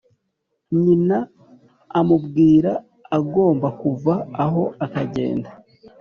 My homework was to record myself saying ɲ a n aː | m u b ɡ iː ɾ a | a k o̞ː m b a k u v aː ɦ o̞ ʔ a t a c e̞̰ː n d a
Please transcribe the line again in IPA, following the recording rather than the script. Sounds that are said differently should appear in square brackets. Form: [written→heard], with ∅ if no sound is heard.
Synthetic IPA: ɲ [a→i] n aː | m u b ɡ iː ɾ a | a [k→ɡ] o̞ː m b a k u v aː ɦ o̞ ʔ a [t→k] a [c→ɟ] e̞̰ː n d a

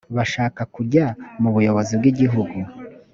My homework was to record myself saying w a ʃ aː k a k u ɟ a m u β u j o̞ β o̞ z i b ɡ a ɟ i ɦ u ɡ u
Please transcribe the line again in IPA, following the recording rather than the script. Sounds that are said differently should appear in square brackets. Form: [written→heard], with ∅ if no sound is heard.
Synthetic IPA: [w→β] a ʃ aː k a k u ɟ a m u β u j o̞ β o̞ z i b ɡ [a→i] ɟ i ɦ u ɡ u

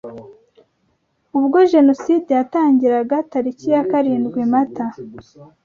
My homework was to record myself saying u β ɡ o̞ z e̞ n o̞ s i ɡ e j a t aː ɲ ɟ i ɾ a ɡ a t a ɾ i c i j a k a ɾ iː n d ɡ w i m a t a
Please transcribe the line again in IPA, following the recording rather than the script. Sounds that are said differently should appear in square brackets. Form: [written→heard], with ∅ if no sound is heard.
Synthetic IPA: u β ɡ o̞ [z→ʒ] e̞ n o̞ s i [ɡ→d] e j a t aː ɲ ɟ i ɾ a ɡ a t a ɾ i c i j a k a ɾ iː n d ɡ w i m a t a

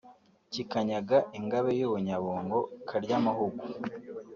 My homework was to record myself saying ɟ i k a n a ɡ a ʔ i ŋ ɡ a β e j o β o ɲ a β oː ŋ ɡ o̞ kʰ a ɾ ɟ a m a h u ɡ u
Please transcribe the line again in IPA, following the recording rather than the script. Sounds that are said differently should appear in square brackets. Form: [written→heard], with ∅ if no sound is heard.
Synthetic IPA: [ɟ→c] i k a [n→ɲ] a ɡ a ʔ i ŋ ɡ a β e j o β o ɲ a β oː ŋ ɡ o̞ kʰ a ɾ ɟ a m a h u ɡ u

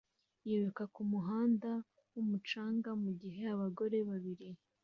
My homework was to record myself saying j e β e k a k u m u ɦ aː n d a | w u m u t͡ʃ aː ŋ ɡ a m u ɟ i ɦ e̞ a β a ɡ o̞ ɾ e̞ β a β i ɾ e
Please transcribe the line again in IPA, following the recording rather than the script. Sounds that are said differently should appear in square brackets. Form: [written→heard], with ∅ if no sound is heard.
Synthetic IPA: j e β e k a k u m u ɦ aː n d a | w u m u t͡ʃ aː ŋ ɡ a m u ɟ i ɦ e̞ a β a ɡ o̞ ɾ e̞ β a β i ɾ [e→i]

